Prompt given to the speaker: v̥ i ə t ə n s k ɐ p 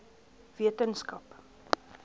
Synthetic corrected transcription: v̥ i ə t ə n s k ɐ p

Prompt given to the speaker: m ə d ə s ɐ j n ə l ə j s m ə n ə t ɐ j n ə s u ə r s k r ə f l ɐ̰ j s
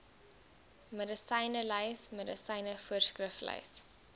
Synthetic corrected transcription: m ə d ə s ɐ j n ə l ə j s m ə d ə s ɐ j n ə f u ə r s k r ə f l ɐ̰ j s

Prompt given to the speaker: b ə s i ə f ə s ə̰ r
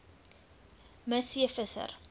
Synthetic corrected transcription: m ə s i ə f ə s ə̰ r

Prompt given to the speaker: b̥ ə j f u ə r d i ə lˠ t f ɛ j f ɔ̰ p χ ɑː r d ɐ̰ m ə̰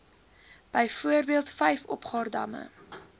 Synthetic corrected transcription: b̥ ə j f u ə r b i ə lˠ t f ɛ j f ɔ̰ p χ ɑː r d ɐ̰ m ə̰

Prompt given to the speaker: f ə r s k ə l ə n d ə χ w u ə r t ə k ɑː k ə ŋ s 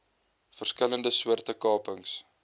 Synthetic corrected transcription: f ə r s k ə l ə n d ə s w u ə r t ə k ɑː p ə ŋ s

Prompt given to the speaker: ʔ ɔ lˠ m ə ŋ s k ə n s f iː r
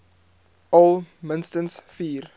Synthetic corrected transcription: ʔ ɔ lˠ m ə n s t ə n s f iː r

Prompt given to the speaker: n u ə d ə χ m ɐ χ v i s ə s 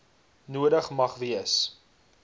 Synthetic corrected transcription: n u ə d ə χ m ɐ χ v i ə s

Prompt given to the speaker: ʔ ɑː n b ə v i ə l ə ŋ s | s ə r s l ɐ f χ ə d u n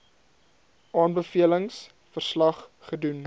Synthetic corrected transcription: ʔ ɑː n b ə f i ə l ə ŋ s | f ə r s l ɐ χ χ ə d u n

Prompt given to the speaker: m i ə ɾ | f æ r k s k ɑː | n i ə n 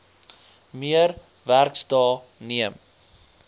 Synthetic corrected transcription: m i ə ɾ | v æ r k s t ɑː | n i ə m

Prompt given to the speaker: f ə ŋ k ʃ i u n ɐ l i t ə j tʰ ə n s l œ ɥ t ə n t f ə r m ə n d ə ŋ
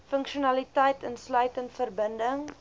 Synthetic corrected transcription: f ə ŋ k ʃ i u n ɐ l i t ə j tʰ ə n s l œ ɥ t ə n t f ə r b ə n d ə ŋ

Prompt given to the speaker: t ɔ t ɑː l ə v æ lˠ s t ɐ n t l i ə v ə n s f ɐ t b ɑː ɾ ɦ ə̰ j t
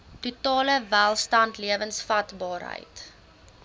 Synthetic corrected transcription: t u t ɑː l ə v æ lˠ s t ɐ n t l i ə v ə n s f ɐ t b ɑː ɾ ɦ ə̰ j t

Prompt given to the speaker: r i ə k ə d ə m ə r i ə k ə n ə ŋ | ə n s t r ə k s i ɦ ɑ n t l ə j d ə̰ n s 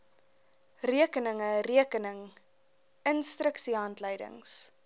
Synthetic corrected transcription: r i ə k ə n ə ŋ ə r i ə k ə n ə ŋ | ə n s t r ə k s i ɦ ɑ n t l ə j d ə̰ ŋ s

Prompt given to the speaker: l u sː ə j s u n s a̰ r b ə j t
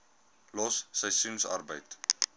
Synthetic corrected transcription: l ɔ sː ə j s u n s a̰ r b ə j t

